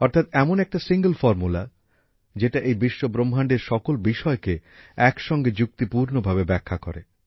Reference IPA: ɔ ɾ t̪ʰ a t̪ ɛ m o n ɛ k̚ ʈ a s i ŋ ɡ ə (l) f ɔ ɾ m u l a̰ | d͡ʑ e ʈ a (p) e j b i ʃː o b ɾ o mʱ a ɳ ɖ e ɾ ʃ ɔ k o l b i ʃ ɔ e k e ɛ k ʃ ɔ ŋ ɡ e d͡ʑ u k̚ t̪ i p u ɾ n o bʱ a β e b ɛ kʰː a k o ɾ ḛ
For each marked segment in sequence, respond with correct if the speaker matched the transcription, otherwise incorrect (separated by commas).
correct, incorrect